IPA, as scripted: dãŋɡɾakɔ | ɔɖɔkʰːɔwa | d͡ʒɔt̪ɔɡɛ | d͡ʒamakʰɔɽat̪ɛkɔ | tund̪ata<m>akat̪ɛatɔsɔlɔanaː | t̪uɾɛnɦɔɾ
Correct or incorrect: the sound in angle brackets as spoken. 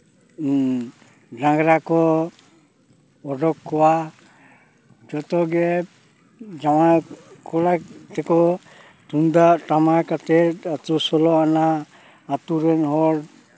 correct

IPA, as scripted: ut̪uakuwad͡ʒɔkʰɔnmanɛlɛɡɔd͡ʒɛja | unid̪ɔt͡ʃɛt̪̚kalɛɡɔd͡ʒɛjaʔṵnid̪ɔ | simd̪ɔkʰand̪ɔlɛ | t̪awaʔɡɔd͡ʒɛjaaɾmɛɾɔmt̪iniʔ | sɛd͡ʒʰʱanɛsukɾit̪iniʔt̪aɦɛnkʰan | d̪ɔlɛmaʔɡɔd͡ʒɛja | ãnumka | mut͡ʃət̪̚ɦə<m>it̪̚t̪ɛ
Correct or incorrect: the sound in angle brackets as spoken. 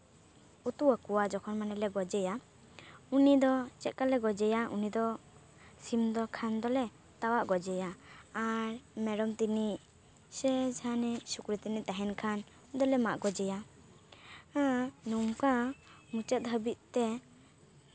incorrect: b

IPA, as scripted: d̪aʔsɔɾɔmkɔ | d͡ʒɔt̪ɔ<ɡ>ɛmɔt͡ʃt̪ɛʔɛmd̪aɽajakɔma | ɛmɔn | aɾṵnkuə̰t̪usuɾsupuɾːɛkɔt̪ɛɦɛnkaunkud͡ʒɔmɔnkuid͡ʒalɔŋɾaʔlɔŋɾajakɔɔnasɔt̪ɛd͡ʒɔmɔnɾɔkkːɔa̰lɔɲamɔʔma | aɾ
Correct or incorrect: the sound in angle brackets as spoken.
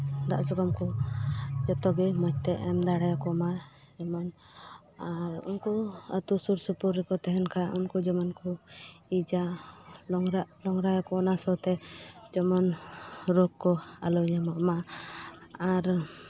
correct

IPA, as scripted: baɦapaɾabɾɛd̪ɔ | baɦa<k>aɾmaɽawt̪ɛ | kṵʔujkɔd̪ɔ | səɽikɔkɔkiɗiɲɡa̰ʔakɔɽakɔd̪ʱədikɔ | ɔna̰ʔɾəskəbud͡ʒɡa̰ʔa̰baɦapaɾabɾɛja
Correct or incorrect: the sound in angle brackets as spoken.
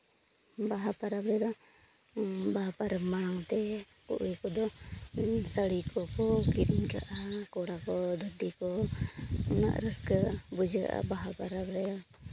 incorrect: p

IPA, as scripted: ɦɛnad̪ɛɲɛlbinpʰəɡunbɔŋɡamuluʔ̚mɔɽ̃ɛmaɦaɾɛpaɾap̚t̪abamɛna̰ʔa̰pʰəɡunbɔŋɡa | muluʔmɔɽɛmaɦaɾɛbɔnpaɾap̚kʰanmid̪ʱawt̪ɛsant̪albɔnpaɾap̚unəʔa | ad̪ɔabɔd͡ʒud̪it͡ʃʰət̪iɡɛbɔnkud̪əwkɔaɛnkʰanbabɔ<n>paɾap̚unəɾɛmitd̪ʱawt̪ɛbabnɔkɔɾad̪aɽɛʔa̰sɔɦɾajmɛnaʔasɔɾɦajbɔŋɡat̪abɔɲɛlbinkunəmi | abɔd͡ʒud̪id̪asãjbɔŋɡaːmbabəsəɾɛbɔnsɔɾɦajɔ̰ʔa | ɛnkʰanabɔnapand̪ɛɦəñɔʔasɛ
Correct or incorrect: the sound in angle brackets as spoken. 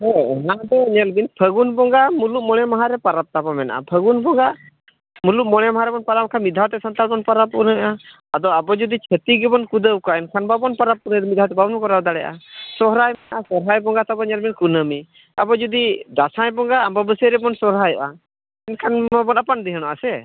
correct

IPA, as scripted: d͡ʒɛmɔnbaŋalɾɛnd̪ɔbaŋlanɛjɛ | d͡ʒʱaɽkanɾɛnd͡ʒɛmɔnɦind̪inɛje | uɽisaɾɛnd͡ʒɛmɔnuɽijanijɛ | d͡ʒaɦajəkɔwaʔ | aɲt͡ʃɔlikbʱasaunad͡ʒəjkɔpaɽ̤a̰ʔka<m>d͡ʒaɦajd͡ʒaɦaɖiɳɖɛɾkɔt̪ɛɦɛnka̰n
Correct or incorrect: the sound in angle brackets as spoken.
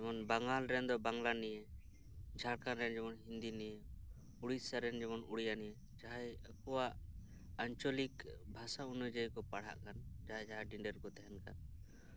incorrect: n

